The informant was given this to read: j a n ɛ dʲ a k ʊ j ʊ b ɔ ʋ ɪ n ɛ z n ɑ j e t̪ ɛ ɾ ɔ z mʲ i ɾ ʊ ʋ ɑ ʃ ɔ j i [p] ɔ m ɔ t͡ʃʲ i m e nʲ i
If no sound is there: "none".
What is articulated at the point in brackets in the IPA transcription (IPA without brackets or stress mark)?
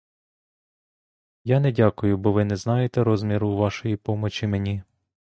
p